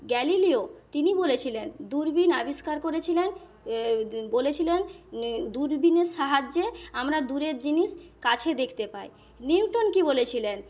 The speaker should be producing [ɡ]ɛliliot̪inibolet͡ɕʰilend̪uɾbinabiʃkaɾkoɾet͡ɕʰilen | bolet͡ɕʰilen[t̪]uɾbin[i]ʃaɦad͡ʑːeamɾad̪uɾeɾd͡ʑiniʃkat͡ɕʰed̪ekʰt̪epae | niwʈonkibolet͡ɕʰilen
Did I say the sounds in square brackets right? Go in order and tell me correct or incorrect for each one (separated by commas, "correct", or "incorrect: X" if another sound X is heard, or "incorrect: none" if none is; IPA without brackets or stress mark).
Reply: correct, incorrect: d̪, incorrect: e